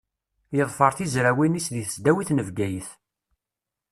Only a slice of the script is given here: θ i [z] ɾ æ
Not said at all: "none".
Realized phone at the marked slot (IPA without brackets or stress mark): z